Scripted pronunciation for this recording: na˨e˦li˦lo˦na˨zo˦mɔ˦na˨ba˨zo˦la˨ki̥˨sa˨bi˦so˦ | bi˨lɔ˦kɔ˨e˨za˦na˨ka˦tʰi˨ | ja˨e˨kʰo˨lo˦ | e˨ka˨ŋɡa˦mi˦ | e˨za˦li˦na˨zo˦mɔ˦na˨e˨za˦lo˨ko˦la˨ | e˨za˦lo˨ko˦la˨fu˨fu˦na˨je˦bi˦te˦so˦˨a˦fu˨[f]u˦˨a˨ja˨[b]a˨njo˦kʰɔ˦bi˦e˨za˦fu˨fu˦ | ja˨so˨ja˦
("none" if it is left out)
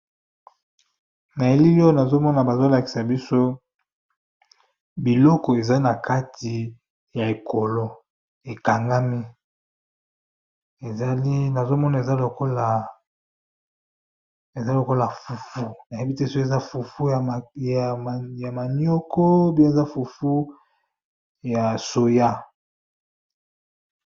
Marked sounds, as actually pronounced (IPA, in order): f, m

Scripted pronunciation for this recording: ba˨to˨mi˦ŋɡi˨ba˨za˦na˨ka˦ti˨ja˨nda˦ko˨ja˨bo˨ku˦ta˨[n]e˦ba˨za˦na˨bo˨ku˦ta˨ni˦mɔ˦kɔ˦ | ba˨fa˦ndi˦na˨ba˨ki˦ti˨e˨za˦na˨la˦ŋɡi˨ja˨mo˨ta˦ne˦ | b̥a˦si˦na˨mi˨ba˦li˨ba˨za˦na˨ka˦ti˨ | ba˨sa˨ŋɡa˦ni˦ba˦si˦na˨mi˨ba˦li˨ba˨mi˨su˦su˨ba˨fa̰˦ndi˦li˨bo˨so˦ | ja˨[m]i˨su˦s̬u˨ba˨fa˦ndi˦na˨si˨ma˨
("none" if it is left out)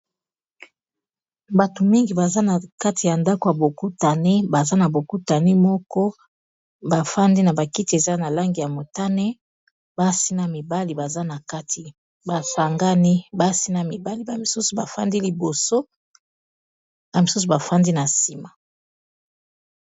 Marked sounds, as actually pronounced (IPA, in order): n, m

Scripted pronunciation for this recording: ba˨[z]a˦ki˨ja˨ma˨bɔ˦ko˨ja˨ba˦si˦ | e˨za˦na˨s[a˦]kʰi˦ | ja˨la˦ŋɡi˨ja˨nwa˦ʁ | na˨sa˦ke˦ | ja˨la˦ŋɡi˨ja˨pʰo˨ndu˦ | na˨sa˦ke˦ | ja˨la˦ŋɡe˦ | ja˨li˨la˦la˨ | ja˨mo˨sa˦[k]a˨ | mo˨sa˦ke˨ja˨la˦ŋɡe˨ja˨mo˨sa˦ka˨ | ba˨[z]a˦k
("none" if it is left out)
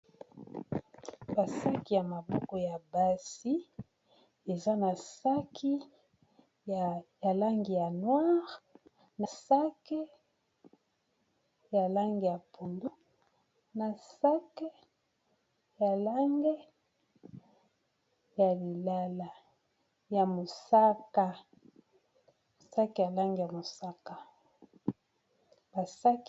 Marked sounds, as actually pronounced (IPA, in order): s, a˦, k, s

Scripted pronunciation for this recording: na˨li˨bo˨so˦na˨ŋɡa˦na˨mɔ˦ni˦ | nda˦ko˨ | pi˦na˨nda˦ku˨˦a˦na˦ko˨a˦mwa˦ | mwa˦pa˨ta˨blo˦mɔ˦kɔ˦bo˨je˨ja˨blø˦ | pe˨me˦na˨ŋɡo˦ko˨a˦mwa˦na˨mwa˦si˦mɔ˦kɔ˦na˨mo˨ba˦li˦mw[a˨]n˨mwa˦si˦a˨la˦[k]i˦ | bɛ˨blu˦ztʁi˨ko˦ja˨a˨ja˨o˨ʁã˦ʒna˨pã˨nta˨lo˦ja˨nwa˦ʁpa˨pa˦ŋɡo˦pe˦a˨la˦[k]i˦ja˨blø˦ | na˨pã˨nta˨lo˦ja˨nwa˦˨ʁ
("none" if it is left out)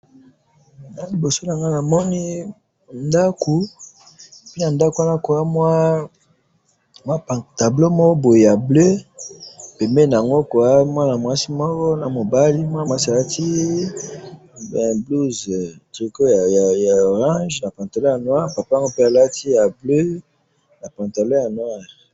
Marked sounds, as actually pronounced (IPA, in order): a˦, t, t

